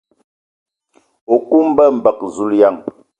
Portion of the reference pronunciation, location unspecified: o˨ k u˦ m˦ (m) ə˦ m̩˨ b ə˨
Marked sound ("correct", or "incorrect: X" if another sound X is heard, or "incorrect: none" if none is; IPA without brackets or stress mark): incorrect: b